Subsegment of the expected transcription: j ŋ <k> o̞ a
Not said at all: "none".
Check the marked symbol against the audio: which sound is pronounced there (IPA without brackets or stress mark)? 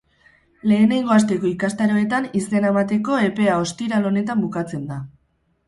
ɡ